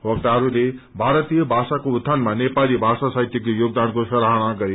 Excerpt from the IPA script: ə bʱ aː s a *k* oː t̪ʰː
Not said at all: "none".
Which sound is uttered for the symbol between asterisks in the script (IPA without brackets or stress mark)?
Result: k